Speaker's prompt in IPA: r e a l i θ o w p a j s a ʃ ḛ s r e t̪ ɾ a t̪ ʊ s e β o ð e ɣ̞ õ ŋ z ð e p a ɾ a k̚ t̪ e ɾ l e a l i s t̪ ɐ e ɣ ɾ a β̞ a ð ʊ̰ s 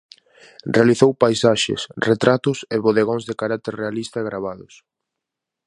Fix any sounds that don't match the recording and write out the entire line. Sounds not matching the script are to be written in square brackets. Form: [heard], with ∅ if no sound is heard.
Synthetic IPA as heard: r e a l i θ o w p a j s a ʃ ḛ s r e t̪ ɾ a t̪ ʊ s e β o ð e ɣ̞ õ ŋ z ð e [k] a ɾ a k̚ t̪ e ɾ [r] e a l i s t̪ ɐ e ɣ ɾ a β̞ a ð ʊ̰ s